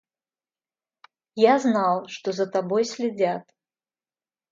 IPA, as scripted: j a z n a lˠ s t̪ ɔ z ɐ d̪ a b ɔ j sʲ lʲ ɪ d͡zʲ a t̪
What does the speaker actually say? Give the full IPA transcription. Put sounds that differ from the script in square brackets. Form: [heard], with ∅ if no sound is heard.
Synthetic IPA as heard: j a z n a lˠ [ʂ] t̪ ɔ z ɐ [t̪] a b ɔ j sʲ lʲ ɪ d͡zʲ a t̪